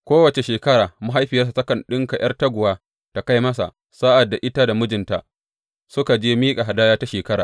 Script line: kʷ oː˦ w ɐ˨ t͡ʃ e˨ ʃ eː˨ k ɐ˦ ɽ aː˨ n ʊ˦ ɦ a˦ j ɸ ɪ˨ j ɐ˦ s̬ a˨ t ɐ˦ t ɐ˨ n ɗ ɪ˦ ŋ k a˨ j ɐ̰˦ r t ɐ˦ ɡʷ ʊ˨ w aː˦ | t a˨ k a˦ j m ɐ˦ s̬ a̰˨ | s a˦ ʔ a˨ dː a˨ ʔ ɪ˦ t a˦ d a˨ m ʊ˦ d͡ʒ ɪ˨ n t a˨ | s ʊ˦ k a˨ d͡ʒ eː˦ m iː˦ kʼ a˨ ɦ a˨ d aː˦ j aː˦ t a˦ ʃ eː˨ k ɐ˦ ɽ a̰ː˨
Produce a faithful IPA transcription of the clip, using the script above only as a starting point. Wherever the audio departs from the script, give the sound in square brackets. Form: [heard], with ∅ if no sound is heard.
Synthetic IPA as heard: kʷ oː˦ w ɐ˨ t͡ʃ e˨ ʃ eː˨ k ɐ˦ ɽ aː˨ [m] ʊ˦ ɦ a˦ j ɸ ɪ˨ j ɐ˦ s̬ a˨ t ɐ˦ [k] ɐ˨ n ɗ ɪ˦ ŋ k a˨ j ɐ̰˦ r t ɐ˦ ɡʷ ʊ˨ w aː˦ | t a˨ k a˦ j m ɐ˦ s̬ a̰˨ | s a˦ ʔ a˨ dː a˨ ʔ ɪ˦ t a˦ d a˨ m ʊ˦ d͡ʒ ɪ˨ n t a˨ | s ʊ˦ k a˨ d͡ʒ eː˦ m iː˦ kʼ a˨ ɦ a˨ d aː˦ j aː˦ t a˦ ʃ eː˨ k ɐ˦ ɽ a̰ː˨